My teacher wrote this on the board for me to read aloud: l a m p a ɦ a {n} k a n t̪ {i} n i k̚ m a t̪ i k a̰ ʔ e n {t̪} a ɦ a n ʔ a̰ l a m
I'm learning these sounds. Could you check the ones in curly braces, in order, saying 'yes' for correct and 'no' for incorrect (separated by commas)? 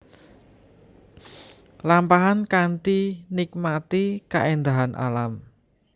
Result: yes, yes, no